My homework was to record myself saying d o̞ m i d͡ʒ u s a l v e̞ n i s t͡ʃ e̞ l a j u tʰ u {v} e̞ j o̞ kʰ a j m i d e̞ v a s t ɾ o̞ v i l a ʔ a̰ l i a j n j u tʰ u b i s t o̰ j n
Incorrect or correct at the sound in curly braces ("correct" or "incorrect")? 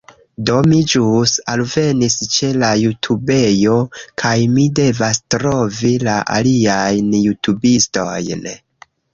incorrect